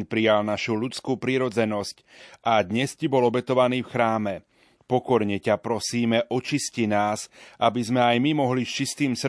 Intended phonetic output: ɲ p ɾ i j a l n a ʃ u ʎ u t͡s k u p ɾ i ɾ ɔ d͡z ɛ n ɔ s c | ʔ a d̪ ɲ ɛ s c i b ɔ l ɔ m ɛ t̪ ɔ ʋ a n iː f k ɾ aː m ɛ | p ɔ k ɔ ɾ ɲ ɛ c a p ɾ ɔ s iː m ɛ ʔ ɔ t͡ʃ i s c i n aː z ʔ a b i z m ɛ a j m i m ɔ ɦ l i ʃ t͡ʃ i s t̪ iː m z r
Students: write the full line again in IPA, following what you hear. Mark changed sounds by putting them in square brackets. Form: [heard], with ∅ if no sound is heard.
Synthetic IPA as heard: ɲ p ɾ i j a l n a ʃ u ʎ u t͡s k u p ɾ i ɾ ɔ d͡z ɛ n ɔ s c | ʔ a d̪ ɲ ɛ s c i b ɔ l ɔ [b] ɛ t̪ ɔ ʋ a n iː f [x] ɾ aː m ɛ | p ɔ k ɔ ɾ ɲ ɛ c a p ɾ ɔ s iː m ɛ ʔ ɔ t͡ʃ i s c i n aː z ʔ a b i z m ɛ a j m i m ɔ ɦ l i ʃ t͡ʃ i s t̪ iː m [s] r